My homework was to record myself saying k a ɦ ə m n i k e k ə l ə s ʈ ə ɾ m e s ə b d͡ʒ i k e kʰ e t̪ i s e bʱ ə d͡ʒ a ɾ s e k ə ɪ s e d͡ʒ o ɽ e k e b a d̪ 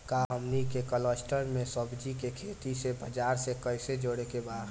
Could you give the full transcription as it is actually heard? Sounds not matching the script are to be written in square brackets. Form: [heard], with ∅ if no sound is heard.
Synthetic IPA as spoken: k a ɦ ə m n i k e k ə l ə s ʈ ə ɾ m e s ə b d͡ʒ i k e kʰ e t̪ i s e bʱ ə d͡ʒ a ɾ s e k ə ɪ s e d͡ʒ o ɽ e k e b a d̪

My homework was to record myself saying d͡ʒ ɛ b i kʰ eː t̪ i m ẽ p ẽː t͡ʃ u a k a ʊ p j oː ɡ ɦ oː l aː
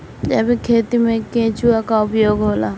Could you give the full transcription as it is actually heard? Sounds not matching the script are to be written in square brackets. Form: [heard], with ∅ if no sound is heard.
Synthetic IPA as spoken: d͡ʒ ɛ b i kʰ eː t̪ i m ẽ [k] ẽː t͡ʃ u a k a ʊ p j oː ɡ ɦ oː l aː

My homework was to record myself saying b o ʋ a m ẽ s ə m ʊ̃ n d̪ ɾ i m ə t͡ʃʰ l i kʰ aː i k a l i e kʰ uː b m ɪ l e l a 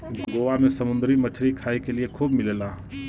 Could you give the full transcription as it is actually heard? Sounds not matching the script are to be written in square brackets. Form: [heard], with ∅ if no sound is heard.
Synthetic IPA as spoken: [ɡ] o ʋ a m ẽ s ə m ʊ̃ n d̪ ɾ i m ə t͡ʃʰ [ɾ] i kʰ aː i k [e] l i e kʰ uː b m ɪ l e l a

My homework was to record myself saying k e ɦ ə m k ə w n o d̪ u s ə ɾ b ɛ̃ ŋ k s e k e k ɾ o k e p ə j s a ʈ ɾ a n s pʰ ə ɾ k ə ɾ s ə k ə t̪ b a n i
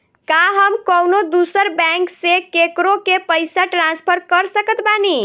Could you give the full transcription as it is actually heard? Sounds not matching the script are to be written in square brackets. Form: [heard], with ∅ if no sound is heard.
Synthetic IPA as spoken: k [a] ɦ ə m k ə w n o d̪ u s ə ɾ b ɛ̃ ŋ k s e k e k ɾ o k e p ə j s a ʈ ɾ a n s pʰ ə ɾ k ə ɾ s ə k ə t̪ b a n i

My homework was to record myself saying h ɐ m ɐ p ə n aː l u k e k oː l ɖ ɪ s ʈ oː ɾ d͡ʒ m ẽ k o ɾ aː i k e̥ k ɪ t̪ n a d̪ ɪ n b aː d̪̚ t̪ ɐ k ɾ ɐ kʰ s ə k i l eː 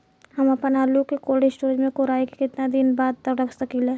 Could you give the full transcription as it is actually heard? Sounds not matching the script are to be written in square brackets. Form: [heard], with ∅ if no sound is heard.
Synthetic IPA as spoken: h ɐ m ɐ p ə n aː l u k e k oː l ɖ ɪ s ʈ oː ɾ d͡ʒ m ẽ k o ɾ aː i k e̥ k ɪ t̪ n a d̪ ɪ n b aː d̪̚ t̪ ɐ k ɾ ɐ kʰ s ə k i l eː

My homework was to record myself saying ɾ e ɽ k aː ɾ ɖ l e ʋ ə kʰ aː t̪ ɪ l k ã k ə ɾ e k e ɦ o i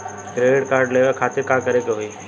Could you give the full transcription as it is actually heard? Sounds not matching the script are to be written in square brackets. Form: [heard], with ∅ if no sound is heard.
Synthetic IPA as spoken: ɾ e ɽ k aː ɾ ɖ l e ʋ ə kʰ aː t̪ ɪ [ɾ] k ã k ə ɾ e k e ɦ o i

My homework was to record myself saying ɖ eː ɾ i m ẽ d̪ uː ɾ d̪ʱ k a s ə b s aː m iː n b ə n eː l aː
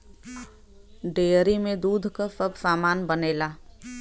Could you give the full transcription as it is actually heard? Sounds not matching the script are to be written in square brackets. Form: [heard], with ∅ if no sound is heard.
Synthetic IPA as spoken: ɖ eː ɾ i m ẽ d̪ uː [∅] d̪ʱ k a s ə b s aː m [aː] n b ə n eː l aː

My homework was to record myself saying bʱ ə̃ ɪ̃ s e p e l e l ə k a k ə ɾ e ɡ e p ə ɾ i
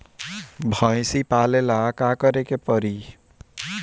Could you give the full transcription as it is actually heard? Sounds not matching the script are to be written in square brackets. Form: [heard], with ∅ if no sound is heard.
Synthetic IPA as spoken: bʱ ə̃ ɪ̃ s [i] p [a] l e l [a] k a k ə ɾ e [k] e p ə ɾ i

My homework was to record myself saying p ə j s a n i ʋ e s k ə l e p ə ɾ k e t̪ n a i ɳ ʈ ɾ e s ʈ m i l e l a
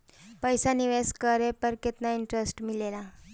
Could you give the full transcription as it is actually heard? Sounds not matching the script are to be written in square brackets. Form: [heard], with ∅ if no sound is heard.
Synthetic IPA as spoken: p ə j s a n i ʋ e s k ə [ɾ] e p ə ɾ k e t̪ n a i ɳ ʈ ɾ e s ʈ m i l e l a

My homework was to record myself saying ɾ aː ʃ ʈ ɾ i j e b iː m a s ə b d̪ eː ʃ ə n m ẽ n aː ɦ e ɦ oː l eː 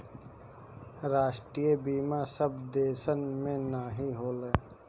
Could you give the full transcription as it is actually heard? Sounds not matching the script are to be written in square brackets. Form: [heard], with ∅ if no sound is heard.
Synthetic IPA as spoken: ɾ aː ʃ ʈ ɾ i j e b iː m a s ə b d̪ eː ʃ ə n m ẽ n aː ɦ [i] ɦ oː l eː

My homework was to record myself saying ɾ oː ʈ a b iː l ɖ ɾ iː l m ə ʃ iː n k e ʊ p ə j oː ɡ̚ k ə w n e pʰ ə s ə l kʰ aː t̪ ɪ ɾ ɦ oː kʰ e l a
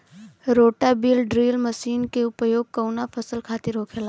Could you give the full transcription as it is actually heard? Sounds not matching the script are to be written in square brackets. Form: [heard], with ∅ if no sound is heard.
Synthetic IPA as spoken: ɾ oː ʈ a b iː l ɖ ɾ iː l m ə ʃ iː n k e ʊ p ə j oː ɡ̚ k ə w n [a] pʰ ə s ə l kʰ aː t̪ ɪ ɾ ɦ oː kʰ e l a

